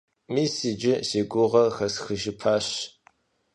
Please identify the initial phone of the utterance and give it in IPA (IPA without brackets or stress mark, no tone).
m